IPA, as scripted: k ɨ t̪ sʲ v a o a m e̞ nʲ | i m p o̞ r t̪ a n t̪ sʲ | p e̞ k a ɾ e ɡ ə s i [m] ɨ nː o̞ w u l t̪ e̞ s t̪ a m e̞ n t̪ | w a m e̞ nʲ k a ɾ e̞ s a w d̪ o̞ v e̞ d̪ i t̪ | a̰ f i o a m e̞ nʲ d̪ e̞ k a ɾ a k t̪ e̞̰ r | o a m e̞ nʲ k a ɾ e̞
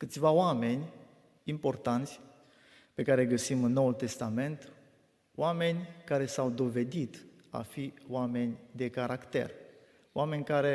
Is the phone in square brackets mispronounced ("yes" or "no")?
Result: no